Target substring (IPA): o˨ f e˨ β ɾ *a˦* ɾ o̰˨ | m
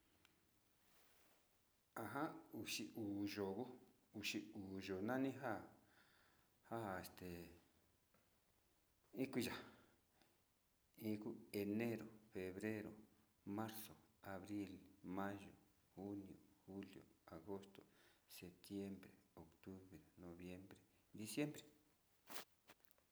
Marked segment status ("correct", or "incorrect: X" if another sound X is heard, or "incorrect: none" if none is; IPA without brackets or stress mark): incorrect: e˦